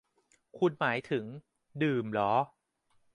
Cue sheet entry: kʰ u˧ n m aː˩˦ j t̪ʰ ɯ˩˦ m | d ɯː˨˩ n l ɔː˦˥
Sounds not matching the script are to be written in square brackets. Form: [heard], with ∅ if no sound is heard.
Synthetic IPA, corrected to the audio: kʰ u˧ n m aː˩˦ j t̪ʰ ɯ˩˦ [ŋ] | d ɯː˨˩ [m] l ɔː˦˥